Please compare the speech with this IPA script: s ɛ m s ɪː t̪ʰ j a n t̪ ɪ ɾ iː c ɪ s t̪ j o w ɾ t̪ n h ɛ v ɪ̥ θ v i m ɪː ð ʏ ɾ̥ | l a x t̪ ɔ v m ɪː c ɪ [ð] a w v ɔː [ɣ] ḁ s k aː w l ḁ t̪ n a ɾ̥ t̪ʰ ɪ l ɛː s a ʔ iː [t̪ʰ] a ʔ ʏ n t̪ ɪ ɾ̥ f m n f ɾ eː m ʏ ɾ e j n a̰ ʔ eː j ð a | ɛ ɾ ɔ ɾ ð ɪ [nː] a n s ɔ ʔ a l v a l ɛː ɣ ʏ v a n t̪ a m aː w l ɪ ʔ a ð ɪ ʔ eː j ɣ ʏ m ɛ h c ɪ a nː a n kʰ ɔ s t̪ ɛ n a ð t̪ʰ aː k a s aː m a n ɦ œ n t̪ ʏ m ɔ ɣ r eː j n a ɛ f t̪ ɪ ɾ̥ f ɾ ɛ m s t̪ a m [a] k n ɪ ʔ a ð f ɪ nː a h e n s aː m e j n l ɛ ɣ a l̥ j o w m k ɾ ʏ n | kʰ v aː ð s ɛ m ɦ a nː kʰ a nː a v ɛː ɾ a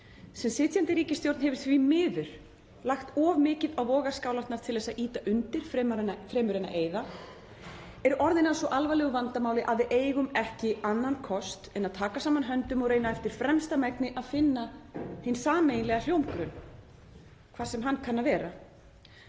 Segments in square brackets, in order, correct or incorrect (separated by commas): correct, correct, incorrect, incorrect, incorrect